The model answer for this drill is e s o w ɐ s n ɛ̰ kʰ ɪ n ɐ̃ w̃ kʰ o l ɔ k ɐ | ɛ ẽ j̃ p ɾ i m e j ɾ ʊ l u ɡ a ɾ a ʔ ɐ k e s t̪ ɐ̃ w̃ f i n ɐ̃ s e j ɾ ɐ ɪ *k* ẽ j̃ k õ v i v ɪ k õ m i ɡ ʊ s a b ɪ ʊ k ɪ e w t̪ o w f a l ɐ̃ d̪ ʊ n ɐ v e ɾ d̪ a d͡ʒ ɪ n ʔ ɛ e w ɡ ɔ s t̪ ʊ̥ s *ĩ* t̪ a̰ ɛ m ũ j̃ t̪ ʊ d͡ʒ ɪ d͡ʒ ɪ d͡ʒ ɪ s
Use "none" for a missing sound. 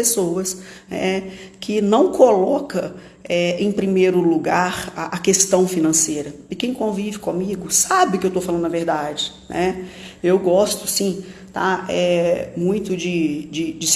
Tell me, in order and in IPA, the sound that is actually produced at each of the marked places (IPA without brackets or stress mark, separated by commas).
k, ĩ